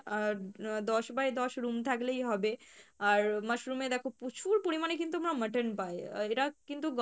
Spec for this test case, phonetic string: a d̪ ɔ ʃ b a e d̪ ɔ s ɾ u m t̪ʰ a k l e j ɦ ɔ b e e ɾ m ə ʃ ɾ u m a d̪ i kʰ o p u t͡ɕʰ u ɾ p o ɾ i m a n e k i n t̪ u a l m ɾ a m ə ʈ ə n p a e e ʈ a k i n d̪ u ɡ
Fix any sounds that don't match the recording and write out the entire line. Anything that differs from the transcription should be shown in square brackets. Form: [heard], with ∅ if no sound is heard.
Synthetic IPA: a d̪ ɔ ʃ b a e d̪ ɔ [ʃ] ɾ u m t̪ʰ a k l e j ɦ ɔ b e [a] ɾ m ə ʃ ɾ u m [e] d̪ [ɛ] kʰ o p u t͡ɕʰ u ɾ p o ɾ i m a n e k i n t̪ u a [∅] m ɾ a m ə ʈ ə n p a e e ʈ a k i n [t̪] u ɡ